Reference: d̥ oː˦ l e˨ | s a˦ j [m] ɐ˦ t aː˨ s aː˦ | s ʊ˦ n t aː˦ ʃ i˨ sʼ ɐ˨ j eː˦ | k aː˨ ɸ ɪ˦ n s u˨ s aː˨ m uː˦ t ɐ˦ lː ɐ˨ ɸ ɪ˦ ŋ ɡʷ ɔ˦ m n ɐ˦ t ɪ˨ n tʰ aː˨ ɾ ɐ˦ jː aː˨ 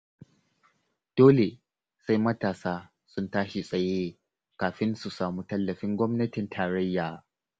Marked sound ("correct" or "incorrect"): correct